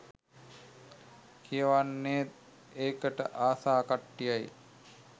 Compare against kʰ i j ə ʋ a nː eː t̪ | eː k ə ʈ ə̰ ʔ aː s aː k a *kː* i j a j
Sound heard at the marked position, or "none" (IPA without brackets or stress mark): ʈː